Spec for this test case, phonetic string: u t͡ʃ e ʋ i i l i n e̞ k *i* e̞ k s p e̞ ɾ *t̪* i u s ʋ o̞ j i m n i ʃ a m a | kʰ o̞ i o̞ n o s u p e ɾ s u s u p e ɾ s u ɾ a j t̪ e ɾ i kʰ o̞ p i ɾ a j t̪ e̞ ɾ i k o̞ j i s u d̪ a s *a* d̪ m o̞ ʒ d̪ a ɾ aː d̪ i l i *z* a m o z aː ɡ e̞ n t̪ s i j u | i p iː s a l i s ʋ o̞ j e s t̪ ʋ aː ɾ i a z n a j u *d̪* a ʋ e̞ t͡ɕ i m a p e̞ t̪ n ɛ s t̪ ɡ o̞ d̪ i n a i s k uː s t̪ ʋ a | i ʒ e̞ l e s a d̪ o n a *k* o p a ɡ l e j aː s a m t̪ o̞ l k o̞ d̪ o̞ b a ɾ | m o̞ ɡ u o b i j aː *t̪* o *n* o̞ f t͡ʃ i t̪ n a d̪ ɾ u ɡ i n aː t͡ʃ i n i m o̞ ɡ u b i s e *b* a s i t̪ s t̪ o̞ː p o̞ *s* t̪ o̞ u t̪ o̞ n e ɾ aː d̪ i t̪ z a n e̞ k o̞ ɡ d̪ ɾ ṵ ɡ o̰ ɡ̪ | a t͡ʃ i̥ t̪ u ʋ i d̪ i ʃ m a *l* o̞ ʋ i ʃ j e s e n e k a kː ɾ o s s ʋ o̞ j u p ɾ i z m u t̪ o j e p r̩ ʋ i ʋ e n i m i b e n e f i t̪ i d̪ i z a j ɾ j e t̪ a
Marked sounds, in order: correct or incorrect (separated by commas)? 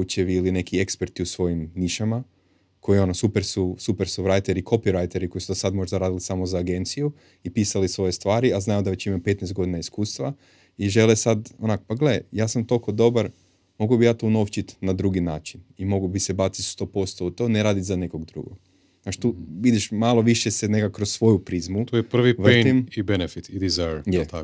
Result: correct, correct, correct, incorrect, correct, correct, correct, correct, correct, correct, correct